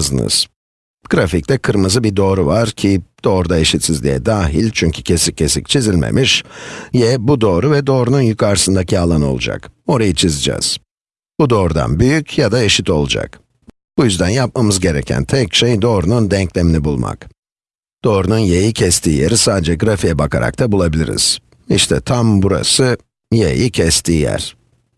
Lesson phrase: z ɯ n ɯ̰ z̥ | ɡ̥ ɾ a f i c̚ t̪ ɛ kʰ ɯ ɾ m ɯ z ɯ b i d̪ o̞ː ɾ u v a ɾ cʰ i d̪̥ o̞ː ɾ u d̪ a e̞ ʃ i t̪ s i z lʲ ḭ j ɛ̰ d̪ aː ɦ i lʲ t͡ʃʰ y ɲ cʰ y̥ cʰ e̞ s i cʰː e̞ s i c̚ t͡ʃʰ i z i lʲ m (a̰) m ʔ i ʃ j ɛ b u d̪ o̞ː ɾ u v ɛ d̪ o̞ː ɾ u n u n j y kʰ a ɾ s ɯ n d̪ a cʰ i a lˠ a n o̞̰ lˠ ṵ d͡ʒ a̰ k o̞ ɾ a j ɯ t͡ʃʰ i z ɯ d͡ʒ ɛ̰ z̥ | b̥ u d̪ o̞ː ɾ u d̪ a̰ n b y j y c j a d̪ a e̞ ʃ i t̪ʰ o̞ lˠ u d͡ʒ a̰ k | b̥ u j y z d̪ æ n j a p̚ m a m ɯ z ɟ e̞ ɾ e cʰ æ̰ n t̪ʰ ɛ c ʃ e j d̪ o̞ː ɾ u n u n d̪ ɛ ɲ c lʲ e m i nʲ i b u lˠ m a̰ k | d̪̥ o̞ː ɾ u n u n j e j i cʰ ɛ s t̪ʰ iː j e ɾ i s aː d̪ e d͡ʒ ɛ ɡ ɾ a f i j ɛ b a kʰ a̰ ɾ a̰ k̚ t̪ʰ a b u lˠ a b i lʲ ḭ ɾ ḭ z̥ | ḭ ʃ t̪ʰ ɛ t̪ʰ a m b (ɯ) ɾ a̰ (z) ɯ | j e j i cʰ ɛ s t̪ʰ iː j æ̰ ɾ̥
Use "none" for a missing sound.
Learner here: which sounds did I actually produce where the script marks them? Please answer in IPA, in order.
ḛ, u, s

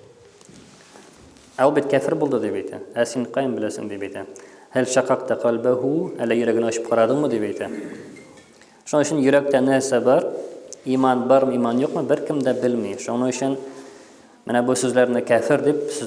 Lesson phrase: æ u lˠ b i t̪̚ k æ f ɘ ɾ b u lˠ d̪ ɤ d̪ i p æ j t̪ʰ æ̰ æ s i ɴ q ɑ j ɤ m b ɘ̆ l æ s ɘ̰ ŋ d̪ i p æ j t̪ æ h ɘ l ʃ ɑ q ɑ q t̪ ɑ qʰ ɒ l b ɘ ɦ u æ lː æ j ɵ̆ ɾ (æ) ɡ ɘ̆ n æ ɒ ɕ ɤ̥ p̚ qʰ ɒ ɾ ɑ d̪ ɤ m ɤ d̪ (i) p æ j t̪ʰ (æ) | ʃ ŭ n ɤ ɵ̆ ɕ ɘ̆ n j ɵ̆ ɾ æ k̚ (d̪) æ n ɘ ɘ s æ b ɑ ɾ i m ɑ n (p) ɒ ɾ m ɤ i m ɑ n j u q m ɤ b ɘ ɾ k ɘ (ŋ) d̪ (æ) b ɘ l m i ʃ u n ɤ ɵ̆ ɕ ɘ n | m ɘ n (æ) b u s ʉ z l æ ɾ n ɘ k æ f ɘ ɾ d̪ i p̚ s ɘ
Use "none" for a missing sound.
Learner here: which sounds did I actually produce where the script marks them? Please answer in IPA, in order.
æ, i, æ, t̪, b, m, æ, æ

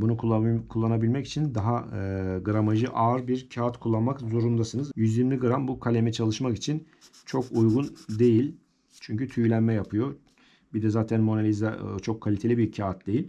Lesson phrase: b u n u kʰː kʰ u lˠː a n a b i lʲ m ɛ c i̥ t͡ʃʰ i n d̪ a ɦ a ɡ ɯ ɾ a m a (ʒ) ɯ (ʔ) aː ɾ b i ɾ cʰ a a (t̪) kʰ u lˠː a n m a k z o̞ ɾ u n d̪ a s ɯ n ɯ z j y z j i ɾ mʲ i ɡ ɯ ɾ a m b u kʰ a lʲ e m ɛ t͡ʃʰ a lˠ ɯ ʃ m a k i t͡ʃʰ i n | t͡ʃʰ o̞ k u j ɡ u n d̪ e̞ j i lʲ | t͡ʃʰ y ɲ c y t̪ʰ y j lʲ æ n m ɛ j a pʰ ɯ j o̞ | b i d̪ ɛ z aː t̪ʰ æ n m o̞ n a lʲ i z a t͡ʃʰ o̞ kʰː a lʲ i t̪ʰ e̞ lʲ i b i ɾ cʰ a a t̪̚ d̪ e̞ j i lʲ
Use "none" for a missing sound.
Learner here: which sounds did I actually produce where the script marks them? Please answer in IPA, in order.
ʒ, ʔ, t̪

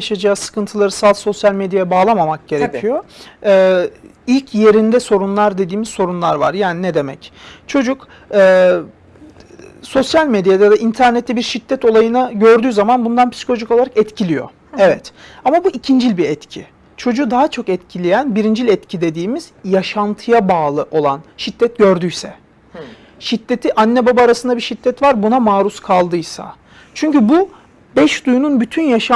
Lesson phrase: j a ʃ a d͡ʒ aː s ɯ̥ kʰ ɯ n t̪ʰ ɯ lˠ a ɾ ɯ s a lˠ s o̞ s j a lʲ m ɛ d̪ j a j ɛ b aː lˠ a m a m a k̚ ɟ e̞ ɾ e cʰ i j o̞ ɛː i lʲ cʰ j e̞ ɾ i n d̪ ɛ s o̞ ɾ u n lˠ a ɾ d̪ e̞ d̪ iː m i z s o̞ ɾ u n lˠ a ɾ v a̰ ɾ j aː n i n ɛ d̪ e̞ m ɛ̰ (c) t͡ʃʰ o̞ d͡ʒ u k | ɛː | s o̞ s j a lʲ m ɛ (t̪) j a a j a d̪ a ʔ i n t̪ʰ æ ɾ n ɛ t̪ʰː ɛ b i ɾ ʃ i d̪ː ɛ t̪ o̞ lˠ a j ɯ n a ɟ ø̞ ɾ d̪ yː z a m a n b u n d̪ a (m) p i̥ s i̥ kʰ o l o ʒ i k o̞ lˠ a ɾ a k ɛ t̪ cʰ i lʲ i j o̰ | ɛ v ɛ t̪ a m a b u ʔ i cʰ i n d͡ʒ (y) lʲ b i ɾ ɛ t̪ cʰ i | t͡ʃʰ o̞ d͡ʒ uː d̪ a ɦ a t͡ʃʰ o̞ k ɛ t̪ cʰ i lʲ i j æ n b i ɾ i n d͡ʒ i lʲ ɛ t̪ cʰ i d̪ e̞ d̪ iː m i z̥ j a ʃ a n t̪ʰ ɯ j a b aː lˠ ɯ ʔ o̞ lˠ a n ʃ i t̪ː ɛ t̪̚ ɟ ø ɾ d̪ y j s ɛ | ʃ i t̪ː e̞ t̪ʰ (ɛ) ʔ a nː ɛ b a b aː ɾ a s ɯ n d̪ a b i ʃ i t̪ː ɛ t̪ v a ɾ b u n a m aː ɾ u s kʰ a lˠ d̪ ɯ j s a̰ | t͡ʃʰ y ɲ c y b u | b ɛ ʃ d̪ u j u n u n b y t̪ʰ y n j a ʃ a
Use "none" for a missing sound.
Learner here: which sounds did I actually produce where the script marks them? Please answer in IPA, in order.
c, d̪, n, i, i

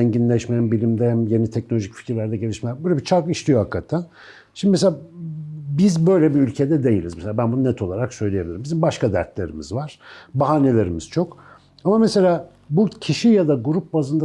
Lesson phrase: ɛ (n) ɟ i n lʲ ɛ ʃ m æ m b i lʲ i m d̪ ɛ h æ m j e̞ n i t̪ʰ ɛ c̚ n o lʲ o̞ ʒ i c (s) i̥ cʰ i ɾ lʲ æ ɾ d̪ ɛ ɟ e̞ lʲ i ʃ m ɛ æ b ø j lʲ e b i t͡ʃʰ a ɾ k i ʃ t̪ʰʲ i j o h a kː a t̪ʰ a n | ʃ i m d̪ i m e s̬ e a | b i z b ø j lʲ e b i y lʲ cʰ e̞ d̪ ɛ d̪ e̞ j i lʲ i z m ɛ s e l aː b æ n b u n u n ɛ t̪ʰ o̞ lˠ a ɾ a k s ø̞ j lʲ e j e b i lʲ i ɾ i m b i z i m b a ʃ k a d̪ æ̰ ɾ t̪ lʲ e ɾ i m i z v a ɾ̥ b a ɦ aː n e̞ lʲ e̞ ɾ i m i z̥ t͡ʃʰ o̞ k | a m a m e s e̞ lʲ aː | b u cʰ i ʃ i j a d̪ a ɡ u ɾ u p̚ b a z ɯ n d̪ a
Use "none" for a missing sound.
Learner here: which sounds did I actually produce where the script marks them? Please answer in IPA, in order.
ɲ, f

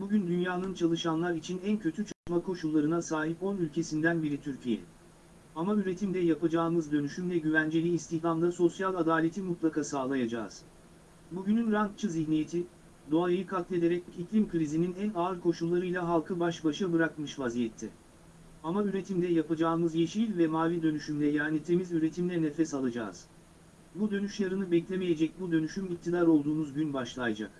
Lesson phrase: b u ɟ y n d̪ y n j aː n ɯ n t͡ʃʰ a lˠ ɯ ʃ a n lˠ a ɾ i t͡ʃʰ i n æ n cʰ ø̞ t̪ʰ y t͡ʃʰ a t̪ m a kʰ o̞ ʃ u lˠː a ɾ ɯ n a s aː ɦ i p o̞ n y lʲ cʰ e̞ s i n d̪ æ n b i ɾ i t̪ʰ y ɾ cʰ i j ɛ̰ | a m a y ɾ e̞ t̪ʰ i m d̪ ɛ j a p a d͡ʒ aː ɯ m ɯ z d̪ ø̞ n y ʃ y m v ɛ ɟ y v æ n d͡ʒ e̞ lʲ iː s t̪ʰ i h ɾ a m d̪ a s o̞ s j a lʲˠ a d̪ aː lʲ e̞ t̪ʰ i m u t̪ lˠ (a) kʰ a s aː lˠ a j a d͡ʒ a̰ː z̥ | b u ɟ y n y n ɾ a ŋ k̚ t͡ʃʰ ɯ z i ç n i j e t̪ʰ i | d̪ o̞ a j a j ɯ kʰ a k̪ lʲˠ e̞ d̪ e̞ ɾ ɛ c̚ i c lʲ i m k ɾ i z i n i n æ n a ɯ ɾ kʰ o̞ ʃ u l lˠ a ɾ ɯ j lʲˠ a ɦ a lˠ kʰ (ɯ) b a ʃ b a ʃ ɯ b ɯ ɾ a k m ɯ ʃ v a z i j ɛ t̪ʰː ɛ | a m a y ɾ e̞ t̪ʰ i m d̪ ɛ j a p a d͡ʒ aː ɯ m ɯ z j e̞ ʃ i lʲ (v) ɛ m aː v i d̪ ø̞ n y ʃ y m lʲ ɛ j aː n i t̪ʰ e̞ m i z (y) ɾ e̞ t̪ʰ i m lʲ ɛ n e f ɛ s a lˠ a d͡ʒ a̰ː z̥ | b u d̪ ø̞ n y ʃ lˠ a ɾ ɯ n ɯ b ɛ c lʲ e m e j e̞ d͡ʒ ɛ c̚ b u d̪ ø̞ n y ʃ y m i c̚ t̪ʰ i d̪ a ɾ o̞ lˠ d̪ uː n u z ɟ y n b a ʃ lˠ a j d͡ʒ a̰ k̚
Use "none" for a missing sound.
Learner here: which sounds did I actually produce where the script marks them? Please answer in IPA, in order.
a, ɯ, v, y

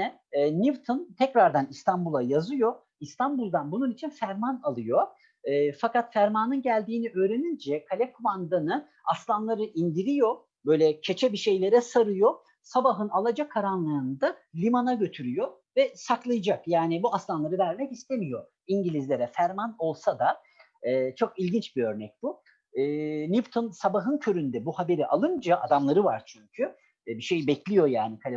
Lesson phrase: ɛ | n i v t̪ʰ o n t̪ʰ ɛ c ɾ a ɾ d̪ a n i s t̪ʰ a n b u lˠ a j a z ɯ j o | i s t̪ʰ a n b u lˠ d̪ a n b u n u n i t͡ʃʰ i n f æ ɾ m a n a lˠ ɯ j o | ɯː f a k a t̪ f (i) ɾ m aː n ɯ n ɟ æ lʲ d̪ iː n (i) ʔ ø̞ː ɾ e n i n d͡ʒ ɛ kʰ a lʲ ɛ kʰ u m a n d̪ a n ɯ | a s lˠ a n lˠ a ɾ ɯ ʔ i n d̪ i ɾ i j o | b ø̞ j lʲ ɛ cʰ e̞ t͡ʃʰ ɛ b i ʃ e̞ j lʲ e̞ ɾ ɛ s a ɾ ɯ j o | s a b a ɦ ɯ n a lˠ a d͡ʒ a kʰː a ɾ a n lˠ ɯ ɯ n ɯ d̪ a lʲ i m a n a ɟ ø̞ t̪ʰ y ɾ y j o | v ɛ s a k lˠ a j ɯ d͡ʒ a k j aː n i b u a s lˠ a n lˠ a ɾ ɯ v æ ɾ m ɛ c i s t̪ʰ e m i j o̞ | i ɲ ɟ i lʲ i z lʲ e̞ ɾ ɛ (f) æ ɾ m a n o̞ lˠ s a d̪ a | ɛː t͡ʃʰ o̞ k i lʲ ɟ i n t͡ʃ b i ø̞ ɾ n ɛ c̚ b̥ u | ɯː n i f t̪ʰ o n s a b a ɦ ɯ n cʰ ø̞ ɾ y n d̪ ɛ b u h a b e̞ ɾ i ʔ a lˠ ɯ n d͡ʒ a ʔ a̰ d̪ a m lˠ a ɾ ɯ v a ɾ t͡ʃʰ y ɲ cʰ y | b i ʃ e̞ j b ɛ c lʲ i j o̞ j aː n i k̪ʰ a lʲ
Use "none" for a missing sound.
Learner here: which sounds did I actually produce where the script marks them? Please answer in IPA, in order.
æ, i, f

